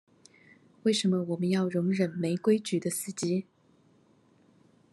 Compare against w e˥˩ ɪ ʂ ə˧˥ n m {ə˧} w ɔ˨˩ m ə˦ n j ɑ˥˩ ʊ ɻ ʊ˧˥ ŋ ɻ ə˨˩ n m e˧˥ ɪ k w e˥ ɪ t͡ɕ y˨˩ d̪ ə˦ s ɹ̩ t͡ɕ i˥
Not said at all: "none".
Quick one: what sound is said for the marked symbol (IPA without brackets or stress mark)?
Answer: ə˧